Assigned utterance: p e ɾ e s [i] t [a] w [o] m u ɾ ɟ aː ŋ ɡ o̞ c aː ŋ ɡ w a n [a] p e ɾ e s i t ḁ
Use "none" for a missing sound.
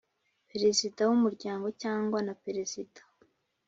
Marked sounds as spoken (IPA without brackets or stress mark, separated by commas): i, a, u, a